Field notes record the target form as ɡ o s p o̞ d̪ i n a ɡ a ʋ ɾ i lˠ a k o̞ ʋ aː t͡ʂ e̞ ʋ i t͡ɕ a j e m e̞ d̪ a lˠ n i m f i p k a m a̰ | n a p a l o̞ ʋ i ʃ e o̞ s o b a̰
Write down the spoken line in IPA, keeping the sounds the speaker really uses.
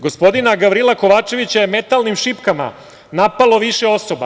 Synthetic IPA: ɡ o s p o̞ d̪ i n a ɡ a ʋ ɾ i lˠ a k o̞ ʋ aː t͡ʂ e̞ ʋ i t͡ɕ a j e m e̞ t̪ a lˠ n i m ʃ i p k a m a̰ | n a p a l o̞ ʋ i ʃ e o̞ s o b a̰